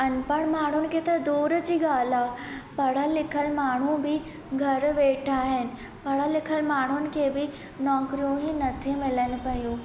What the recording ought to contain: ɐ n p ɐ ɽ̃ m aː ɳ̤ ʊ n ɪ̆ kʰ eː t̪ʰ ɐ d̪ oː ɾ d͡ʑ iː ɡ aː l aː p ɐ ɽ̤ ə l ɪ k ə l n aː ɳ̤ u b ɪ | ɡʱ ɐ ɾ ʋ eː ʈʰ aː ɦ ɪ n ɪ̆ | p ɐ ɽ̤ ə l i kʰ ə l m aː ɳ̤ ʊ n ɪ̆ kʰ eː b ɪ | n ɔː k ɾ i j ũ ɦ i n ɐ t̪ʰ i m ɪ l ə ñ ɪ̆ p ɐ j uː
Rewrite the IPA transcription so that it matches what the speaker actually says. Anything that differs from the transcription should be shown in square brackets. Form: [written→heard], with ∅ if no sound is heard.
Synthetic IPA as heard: ɐ n p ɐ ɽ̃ m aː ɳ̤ ʊ n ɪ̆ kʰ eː [t̪ʰ→t̪] ɐ d̪ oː ɾ d͡ʑ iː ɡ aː l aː p ɐ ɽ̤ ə l ɪ [k→kʰ] ə l [n→m] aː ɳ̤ u b ɪ | ɡʱ ɐ ɾ ʋ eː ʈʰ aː ɦ ɪ n ɪ̆ | p ɐ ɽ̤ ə l [i→ɪ] kʰ ə l m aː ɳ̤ ʊ n ɪ̆ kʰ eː b ɪ | n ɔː k ɾ i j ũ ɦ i n ɐ t̪ʰ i m ɪ l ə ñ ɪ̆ p ɐ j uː

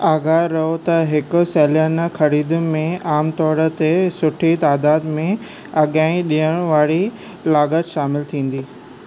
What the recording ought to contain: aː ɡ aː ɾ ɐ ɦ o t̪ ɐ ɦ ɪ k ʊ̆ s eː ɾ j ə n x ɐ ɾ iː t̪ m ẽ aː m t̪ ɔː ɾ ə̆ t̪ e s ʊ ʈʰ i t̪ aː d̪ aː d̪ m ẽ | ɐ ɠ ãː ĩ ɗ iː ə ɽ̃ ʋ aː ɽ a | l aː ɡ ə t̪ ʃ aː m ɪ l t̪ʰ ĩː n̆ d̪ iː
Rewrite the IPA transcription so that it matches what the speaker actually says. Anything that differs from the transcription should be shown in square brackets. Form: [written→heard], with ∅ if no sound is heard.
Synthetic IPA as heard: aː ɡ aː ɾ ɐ ɦ o t̪ ɐ ɦ ɪ k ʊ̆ s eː [ɾ→l] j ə n x ɐ ɾ iː [t̪→d̪] m ẽ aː m t̪ ɔː ɾ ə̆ t̪ e s ʊ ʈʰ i t̪ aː d̪ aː d̪ m ẽ | ɐ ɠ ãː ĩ ɗ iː ə ɽ̃ ʋ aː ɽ [a→i] | l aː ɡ ə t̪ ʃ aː m ɪ l t̪ʰ ĩː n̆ d̪ iː

